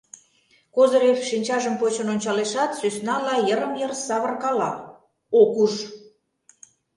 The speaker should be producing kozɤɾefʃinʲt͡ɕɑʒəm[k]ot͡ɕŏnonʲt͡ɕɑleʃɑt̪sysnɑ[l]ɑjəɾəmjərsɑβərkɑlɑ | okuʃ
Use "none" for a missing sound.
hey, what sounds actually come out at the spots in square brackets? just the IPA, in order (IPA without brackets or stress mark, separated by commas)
p, l